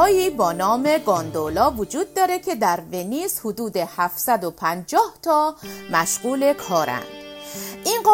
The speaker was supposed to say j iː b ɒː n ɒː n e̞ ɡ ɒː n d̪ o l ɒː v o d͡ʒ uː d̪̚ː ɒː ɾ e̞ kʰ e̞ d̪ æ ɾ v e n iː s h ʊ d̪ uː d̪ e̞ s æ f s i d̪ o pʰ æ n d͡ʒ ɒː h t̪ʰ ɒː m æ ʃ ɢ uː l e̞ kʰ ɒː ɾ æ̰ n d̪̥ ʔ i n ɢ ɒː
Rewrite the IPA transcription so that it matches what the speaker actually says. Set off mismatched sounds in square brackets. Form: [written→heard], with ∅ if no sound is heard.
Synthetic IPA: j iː b ɒː n ɒː [n→m] e̞ ɡ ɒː n d̪ o l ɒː v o d͡ʒ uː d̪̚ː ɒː ɾ e̞ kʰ e̞ d̪ æ ɾ v e n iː s h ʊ d̪ uː d̪ e̞ [s→h] æ f s [i→æ] d̪ o pʰ æ n d͡ʒ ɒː h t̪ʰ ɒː m æ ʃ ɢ uː l e̞ kʰ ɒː ɾ æ̰ n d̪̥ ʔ i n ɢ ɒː